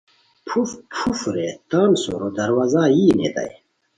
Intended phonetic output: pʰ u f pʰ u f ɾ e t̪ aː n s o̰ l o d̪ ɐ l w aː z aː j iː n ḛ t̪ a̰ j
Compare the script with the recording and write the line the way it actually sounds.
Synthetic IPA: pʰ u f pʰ u f ɾ e t̪ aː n s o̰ ɾ o d̪ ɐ ɾ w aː z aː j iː n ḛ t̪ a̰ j